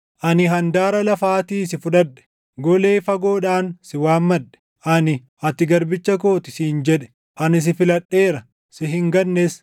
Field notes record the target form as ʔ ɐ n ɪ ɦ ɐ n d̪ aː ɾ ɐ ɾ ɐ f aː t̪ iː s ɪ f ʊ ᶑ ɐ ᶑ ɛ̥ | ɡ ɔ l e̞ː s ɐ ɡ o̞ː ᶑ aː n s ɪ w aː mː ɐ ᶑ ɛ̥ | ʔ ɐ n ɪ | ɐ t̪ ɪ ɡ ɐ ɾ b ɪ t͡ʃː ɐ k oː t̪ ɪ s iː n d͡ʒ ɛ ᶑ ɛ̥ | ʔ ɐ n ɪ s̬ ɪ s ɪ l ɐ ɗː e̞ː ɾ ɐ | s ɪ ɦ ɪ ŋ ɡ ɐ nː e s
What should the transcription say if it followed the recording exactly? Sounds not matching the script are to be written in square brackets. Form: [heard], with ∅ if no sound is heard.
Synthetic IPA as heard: ʔ ɐ n ɪ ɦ ɐ n d̪ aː ɾ ɐ [l] ɐ f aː t̪ iː s ɪ f ʊ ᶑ ɐ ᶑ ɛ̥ | ɡ ɔ l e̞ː [f] ɐ ɡ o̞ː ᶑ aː n s ɪ w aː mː ɐ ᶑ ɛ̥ | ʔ ɐ n ɪ | ɐ t̪ ɪ ɡ ɐ ɾ b ɪ t͡ʃː ɐ k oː t̪ ɪ s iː n d͡ʒ ɛ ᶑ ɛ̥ | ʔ ɐ n ɪ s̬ ɪ [f] ɪ l ɐ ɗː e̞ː ɾ ɐ | s ɪ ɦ ɪ ŋ ɡ ɐ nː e s